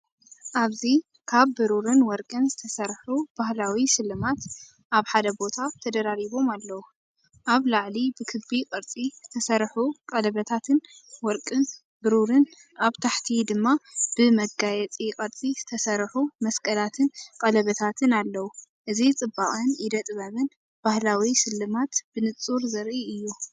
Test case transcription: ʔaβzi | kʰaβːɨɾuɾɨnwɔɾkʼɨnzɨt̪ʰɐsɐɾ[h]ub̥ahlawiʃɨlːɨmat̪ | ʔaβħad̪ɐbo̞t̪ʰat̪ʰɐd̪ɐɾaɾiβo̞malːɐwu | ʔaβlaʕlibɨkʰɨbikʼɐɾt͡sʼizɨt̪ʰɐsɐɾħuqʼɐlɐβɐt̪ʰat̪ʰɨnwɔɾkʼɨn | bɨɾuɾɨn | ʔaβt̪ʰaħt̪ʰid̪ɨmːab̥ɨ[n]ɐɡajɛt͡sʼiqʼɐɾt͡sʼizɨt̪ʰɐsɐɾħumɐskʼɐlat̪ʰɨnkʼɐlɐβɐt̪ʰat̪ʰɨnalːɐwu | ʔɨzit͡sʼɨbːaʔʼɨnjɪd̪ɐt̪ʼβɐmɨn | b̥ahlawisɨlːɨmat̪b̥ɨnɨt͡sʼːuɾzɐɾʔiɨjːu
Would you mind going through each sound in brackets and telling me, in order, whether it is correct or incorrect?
incorrect: ħ, incorrect: m

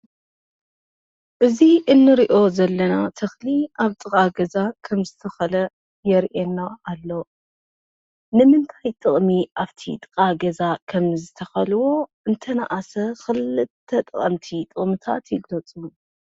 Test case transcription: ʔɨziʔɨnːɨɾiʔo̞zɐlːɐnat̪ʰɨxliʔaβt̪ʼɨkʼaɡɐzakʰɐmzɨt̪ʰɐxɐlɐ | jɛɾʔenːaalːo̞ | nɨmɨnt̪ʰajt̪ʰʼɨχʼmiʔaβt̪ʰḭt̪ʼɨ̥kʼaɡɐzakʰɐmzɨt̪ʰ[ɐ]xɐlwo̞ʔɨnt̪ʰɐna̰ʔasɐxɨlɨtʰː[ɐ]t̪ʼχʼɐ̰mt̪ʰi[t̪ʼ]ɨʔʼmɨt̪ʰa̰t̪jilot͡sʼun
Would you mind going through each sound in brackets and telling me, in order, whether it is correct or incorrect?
correct, correct, correct

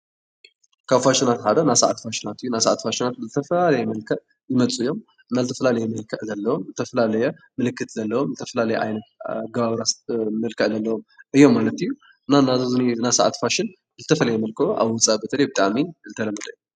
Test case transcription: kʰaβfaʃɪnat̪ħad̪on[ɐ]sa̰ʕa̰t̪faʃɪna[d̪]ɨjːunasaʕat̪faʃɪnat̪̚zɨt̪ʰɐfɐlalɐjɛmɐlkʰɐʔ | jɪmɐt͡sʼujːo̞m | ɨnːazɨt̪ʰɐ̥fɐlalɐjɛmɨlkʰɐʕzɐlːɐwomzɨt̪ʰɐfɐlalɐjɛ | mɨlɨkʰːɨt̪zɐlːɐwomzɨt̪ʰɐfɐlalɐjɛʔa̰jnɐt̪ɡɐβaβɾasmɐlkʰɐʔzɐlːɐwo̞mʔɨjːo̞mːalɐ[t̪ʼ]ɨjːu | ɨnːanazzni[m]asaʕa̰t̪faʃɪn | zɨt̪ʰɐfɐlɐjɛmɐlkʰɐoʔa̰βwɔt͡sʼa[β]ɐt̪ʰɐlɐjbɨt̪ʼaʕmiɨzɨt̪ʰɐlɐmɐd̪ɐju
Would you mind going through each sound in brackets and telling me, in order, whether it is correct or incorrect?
incorrect: a, incorrect: t̪, incorrect: t̪, incorrect: n, incorrect: b

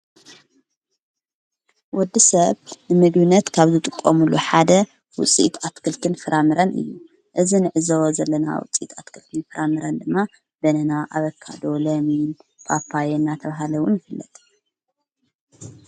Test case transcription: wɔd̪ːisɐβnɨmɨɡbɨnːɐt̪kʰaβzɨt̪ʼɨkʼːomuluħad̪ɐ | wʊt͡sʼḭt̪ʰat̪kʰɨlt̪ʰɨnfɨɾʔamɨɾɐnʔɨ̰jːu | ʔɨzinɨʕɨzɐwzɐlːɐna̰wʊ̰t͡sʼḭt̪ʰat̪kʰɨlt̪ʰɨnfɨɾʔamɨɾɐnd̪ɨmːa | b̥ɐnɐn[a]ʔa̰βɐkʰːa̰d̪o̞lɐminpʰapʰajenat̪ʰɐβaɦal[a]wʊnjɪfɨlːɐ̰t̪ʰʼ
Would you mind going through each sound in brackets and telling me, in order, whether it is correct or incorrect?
correct, incorrect: ɐ

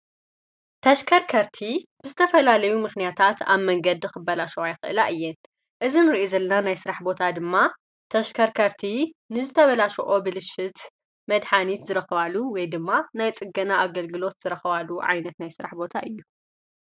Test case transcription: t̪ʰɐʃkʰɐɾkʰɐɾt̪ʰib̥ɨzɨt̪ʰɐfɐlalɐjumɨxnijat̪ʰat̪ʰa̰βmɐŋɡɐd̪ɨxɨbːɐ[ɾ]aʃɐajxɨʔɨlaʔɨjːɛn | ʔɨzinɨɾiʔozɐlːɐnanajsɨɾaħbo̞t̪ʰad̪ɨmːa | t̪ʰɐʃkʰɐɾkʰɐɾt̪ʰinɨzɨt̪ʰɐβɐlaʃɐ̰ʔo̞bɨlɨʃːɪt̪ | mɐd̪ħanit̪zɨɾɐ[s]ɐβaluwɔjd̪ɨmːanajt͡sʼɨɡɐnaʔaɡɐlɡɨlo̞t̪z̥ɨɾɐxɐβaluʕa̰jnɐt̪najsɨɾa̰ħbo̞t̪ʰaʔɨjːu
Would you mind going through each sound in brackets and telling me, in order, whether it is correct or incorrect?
incorrect: l, incorrect: x

